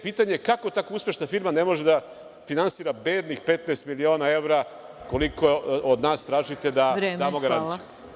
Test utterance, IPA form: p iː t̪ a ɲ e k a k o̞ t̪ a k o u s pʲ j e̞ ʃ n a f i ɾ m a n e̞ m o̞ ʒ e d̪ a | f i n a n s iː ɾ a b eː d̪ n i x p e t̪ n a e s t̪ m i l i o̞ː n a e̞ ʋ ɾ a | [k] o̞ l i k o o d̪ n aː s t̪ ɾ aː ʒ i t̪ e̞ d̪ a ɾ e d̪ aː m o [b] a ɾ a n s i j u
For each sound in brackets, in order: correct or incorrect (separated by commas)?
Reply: correct, incorrect